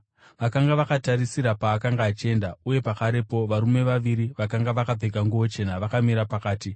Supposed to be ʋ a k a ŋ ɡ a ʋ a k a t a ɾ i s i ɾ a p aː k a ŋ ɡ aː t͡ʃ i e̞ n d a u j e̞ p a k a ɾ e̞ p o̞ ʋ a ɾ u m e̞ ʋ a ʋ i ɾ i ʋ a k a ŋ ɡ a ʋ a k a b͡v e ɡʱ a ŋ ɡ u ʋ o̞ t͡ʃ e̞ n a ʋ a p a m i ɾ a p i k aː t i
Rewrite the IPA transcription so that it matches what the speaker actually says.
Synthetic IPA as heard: ʋ a k a ŋ ɡ a ʋ a k a t a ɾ i s i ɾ a p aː k a ŋ ɡ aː t͡ʃ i e̞ n d a u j e̞ p a k a ɾ e̞ p o̞ ʋ a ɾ u m e̞ ʋ a ʋ i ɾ i ʋ a k a ŋ ɡ a ʋ a k a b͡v e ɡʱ a ŋ ɡ u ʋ o̞ t͡ʃ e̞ n a ʋ a k a m i ɾ a p a k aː t i